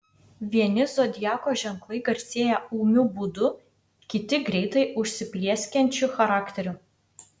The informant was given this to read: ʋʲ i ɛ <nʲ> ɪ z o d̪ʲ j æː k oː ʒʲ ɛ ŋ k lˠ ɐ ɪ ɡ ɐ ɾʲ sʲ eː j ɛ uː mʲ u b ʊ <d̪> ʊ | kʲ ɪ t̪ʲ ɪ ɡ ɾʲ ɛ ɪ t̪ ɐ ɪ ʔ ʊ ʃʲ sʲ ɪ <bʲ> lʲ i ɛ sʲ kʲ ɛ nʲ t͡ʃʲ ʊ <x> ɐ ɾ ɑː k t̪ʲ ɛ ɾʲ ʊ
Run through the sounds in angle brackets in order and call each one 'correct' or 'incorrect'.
correct, correct, incorrect: pʲ, correct

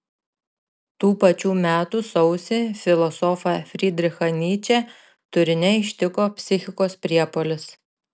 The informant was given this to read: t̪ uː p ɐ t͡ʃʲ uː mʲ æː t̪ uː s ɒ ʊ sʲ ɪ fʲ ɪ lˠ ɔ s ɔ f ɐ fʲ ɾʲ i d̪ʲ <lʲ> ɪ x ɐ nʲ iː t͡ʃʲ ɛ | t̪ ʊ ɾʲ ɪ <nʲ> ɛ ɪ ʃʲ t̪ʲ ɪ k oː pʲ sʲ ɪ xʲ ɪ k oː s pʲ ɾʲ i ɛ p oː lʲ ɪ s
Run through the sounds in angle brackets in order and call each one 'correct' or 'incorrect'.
incorrect: ɾʲ, correct

